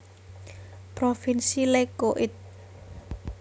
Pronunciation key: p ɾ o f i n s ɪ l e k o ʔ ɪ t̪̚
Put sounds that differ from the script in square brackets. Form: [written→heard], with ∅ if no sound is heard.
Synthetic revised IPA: p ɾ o f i n s [ɪ→i] l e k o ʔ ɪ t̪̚